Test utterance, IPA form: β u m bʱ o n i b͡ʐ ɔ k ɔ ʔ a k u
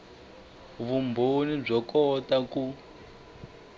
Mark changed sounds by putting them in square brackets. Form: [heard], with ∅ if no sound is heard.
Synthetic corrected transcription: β u m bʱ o n i b͡ʐ ɔ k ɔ [t] a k u